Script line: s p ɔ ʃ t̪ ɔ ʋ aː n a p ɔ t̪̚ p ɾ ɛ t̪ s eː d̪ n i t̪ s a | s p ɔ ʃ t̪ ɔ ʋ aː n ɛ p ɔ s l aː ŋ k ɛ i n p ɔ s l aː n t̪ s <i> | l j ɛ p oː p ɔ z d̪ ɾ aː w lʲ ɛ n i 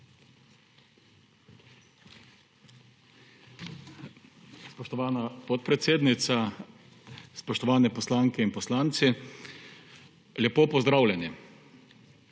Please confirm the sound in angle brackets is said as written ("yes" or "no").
yes